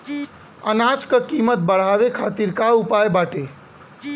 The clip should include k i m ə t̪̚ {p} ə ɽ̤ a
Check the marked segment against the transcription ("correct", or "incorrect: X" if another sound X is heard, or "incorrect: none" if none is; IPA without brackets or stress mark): incorrect: b